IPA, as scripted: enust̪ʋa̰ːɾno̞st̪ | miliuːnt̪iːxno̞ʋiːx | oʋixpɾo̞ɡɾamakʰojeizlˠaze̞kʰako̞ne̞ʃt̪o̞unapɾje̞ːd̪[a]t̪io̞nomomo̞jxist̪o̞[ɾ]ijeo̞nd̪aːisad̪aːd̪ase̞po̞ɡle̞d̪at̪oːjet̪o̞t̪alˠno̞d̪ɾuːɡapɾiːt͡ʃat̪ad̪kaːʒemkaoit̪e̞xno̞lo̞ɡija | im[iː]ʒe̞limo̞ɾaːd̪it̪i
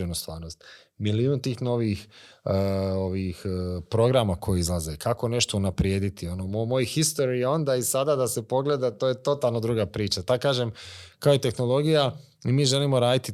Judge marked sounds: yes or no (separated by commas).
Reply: no, yes, yes